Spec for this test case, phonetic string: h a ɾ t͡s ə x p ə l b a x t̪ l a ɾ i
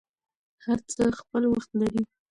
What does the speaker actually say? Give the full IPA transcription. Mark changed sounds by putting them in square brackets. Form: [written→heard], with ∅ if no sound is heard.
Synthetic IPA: h a ɾ t͡s ə x p ə l [b→w] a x t̪ l a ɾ i